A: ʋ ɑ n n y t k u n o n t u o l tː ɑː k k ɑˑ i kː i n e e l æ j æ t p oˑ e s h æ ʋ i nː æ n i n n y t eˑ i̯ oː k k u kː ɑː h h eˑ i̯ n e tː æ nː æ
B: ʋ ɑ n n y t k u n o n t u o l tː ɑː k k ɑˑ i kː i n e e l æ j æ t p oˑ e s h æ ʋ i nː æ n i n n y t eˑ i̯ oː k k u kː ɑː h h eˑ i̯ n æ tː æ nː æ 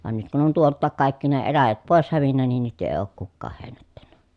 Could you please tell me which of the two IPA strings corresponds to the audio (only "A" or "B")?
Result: B